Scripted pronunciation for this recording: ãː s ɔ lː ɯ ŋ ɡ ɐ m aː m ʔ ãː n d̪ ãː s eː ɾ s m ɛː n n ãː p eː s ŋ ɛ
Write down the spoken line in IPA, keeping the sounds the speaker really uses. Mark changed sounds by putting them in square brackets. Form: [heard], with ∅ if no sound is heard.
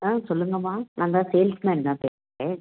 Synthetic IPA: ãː s ɔ lː ɯ ŋ ɡ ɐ m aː [n] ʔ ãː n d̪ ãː s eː [l] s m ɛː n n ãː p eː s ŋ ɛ